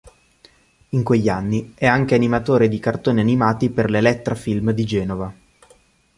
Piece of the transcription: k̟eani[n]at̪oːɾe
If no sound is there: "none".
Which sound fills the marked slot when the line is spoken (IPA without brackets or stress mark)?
m